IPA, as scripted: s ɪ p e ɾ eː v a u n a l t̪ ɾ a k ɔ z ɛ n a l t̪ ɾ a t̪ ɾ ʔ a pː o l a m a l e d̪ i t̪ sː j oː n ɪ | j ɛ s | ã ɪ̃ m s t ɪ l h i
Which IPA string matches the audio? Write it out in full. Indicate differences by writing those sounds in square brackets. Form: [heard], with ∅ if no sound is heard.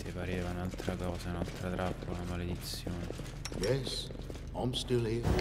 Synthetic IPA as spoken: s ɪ p [a] ɾ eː v a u n a l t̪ ɾ a k [ɔː] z [a] n a l t̪ ɾ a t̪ ɾ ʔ a pː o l a m a l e d̪ i t̪ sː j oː n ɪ | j ɛ s | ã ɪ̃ m s t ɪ l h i